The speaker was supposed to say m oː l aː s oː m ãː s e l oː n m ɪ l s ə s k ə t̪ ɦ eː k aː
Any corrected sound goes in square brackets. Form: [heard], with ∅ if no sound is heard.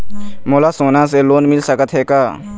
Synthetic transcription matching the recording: m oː l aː s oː [n] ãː s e l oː n m ɪ l s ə [∅] k ə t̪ ɦ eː k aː